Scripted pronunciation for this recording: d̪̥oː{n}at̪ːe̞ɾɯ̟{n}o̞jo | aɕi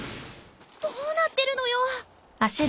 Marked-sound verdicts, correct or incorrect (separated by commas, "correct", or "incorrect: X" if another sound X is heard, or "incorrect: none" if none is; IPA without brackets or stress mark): correct, correct